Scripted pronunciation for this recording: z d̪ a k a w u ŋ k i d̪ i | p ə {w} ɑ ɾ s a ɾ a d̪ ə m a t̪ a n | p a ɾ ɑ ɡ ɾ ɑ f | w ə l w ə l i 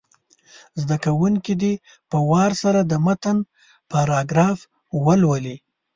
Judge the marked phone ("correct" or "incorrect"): correct